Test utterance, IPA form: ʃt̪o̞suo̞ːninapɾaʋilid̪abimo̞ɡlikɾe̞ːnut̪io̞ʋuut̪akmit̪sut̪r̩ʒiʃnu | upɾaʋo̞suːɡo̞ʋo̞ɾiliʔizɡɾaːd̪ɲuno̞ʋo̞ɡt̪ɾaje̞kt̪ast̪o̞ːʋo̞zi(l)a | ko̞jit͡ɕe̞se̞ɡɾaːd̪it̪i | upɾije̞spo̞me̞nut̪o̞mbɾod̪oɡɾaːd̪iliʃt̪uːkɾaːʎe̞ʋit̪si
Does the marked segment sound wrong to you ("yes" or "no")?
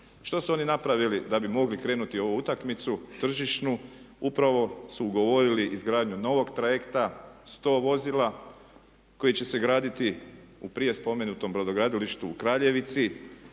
no